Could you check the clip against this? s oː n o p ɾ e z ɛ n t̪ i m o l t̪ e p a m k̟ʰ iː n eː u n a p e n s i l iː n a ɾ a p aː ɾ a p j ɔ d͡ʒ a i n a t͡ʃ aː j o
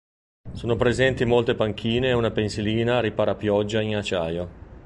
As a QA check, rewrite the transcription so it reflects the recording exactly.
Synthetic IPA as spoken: s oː n o p ɾ e z ɛ n t̪ i m o l t̪ e p a ŋ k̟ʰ iː n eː u n a p e n s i l iː n a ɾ i p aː ɾ a p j ɔ d͡ʒː a i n a t͡ʃ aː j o